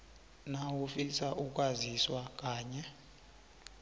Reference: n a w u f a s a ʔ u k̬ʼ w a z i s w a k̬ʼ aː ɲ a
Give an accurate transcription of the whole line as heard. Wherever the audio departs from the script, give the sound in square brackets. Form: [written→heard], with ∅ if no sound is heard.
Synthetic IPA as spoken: n a w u f [a→i] s a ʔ u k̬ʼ w a z i s w a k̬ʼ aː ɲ [a→ɛ]